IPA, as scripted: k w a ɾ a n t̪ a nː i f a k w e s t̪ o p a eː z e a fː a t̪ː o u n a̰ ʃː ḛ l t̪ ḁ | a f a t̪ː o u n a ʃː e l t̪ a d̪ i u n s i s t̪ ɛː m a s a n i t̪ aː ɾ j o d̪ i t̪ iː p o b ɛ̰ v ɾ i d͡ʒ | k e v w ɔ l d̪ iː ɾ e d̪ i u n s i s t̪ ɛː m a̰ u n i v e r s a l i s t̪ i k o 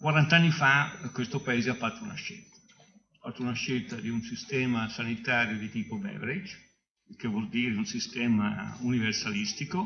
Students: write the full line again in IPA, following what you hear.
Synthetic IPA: k w a ɾ a n t̪ a nː i f a k w e s t̪ o p a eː z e a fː a t̪ː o u n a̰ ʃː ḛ l t̪ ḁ | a f a t̪ː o u n a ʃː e l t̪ a d̪ i u n s i s t̪ ɛː m a s a n i t̪ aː ɾ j o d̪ i t̪ iː p o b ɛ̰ v ɾ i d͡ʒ | k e v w ɔ l d̪ iː ɾ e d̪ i u n s i s t̪ ɛː m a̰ u n i v e r s a l i s t̪ i k o